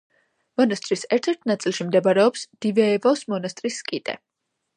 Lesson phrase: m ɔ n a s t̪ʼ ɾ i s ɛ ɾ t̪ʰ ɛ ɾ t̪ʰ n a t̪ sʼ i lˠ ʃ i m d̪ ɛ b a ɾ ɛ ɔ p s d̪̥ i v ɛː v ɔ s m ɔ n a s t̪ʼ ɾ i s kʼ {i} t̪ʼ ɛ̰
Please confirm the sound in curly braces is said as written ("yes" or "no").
yes